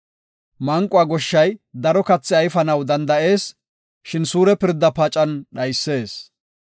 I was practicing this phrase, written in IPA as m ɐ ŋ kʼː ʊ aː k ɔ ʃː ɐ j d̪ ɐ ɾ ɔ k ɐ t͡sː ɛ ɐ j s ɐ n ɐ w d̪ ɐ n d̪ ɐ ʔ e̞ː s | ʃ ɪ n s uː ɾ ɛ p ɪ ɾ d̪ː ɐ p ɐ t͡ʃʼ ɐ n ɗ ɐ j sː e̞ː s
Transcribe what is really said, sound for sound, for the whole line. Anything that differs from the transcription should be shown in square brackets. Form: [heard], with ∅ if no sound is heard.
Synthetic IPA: m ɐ ŋ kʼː ʊ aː [ɡ] ɔ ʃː ɐ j d̪ ɐ ɾ ɔ k ɐ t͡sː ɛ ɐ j [f] ɐ n ɐ w d̪ ɐ n d̪ ɐ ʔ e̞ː s | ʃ ɪ n s uː ɾ ɛ p ɪ ɾ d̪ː ɐ p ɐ t͡ʃʼ ɐ n ɗ ɐ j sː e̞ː s